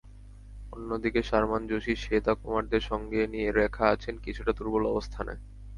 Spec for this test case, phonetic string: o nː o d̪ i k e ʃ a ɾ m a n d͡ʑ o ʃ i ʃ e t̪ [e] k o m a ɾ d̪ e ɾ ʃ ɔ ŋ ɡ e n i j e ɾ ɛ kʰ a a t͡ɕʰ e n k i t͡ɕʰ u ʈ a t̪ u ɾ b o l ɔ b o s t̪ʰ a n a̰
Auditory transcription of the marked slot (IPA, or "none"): a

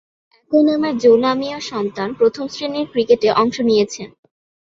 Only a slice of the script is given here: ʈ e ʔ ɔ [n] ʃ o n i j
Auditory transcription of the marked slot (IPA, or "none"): ŋ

